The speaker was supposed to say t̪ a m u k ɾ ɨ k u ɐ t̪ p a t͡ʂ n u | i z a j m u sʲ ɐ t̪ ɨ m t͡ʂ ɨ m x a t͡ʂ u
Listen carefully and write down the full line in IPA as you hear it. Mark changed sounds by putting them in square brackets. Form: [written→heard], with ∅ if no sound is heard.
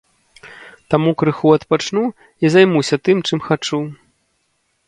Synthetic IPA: t̪ a m u k ɾ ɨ [k→x] u ɐ t̪ p a t͡ʂ n u | i z a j m u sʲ ɐ t̪ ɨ m t͡ʂ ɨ m x a t͡ʂ u